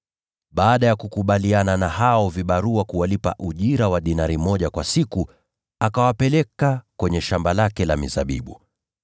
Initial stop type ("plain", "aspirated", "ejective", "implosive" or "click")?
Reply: implosive